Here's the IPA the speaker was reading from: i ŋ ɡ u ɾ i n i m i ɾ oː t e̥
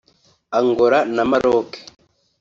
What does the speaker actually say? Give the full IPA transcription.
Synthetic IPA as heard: a ŋ ɡ o ɾ a n a m a ɾ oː k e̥